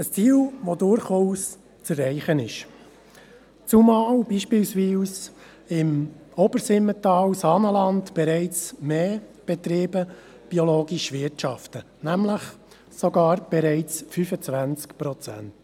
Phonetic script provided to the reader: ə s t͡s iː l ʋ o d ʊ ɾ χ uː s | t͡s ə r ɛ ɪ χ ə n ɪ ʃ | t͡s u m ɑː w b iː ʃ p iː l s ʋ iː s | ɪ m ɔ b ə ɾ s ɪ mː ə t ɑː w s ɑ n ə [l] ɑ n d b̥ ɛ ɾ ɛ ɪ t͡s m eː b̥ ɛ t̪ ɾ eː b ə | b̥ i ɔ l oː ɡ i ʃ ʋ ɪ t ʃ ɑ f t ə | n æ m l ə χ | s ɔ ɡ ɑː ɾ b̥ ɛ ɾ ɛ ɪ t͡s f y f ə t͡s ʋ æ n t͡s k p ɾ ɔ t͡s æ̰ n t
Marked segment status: correct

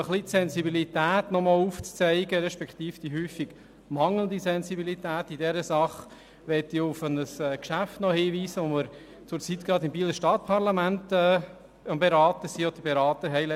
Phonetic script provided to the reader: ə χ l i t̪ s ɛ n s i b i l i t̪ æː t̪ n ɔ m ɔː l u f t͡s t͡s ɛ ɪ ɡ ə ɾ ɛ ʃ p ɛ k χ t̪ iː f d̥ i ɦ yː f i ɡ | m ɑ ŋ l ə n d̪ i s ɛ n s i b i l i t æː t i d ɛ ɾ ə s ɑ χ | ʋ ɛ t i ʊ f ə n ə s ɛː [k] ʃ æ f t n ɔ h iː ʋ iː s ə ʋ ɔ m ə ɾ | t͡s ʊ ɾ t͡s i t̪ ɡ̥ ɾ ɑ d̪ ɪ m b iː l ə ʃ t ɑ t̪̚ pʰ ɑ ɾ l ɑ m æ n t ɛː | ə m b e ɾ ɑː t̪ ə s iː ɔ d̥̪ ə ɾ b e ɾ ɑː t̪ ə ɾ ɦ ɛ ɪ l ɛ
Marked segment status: correct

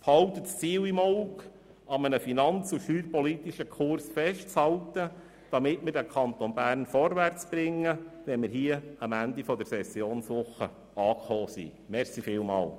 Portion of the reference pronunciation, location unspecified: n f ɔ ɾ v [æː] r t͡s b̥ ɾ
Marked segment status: incorrect: æ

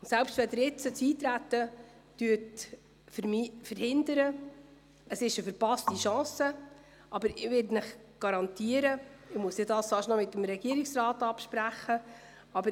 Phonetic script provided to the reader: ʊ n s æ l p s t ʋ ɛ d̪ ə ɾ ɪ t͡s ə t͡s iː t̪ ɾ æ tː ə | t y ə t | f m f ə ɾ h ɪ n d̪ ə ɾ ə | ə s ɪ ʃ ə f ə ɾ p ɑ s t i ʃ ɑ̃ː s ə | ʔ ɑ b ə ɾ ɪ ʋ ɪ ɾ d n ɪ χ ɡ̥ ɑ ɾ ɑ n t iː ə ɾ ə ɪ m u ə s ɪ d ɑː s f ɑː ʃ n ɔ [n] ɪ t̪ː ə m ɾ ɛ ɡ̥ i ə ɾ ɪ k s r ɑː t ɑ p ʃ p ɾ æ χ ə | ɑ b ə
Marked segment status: incorrect: m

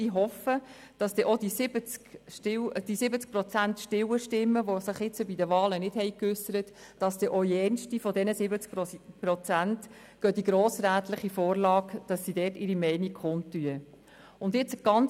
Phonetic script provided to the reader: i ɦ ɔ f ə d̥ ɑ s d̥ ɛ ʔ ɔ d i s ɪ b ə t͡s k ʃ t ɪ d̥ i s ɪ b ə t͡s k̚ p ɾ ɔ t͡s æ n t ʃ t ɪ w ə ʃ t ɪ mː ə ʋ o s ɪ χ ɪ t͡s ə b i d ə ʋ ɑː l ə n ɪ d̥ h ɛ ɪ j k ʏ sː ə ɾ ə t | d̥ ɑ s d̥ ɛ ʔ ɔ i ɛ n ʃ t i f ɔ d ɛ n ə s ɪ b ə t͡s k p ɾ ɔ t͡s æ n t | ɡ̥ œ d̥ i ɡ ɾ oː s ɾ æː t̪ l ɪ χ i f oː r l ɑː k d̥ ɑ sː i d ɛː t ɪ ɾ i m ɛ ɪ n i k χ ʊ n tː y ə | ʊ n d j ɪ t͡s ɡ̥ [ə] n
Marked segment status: incorrect: ɑ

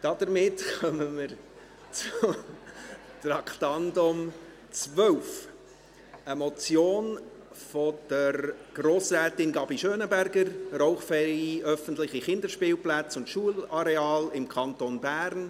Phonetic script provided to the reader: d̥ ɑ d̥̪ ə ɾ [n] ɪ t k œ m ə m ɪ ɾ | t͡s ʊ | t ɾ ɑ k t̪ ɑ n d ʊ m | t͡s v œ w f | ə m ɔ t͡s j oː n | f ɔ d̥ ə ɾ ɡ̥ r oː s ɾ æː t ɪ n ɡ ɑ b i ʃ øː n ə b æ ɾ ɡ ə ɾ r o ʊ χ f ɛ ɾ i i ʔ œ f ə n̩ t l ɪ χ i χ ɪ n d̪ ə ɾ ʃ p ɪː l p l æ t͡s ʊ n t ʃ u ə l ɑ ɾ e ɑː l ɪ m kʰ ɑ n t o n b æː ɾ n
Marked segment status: incorrect: m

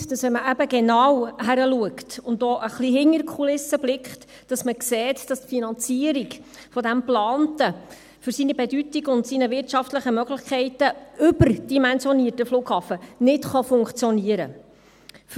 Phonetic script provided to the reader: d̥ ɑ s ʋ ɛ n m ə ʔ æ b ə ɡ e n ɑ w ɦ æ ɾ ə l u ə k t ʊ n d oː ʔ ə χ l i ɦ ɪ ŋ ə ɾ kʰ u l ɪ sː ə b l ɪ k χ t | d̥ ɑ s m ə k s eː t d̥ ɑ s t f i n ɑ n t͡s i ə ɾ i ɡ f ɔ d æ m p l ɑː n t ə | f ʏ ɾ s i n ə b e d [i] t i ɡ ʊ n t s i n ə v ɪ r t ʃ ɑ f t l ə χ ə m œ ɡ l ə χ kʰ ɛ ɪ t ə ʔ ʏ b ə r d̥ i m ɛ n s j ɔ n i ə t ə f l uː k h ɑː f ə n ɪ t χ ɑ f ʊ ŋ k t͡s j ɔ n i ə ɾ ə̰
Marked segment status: incorrect: y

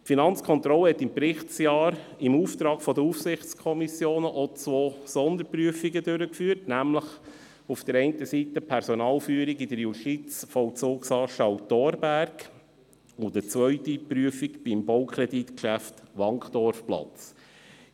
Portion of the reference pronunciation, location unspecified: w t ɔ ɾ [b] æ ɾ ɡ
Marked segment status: correct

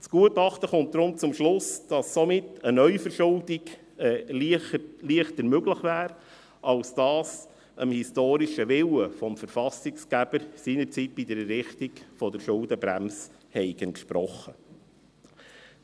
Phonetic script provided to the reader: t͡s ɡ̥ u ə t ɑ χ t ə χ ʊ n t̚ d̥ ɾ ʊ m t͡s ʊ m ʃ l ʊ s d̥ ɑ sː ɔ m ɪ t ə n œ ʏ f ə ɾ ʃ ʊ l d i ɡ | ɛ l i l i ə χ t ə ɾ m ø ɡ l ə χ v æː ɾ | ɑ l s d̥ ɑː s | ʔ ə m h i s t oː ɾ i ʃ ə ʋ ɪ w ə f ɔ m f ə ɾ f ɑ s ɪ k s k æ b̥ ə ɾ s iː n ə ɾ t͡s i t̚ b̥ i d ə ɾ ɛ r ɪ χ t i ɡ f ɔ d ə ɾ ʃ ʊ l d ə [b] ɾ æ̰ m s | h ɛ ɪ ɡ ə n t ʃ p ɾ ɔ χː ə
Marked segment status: correct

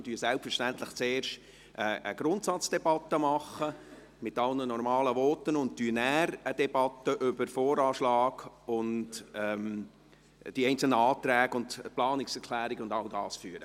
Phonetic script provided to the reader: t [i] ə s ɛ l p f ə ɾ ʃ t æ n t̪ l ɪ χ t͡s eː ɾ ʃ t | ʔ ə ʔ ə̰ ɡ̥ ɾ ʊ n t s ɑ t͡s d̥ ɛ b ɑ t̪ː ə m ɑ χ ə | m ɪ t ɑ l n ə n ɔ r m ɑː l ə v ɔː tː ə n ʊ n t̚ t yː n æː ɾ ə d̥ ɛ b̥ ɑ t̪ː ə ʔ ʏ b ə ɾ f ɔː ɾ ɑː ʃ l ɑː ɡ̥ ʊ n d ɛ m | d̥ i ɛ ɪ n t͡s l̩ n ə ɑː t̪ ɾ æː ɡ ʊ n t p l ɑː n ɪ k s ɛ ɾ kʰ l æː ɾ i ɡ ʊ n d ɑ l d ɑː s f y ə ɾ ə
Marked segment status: incorrect: y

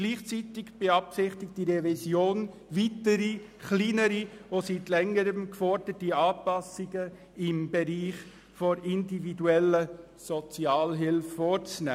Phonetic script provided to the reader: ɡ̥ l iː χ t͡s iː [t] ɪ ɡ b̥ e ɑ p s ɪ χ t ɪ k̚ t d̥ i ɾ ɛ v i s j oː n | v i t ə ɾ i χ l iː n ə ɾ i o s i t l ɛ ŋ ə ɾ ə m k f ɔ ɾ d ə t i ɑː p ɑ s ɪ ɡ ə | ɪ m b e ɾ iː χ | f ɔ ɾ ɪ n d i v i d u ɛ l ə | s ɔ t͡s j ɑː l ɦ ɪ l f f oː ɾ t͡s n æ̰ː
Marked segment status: correct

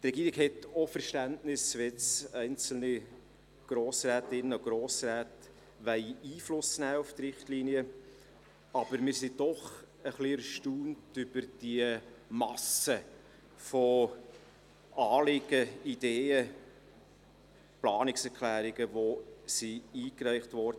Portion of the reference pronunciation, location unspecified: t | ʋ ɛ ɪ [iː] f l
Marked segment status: correct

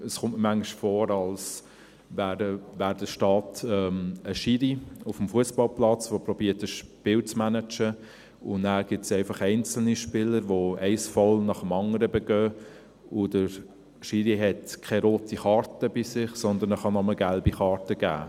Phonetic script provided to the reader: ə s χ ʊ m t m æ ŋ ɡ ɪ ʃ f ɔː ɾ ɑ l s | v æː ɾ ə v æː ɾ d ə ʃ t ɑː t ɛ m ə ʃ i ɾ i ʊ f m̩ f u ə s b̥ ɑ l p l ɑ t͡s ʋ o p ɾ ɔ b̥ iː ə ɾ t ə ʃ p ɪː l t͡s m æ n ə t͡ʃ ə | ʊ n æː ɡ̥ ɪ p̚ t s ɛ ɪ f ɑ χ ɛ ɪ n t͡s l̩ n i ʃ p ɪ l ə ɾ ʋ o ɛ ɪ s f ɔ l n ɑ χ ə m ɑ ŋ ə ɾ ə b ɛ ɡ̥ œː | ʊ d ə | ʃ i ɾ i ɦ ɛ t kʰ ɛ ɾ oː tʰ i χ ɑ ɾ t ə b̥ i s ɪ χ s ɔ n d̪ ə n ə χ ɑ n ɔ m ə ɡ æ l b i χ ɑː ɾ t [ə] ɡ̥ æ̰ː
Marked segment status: correct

